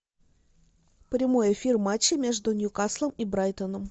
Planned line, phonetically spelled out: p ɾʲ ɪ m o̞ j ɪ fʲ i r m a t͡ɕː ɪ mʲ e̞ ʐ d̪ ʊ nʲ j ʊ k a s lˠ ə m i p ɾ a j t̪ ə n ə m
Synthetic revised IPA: p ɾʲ ɪ m o̞ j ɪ fʲ i r m a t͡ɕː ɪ mʲ e̞ ʐ d̪ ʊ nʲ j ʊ k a s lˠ ə m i b ɾ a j t̪ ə n ə m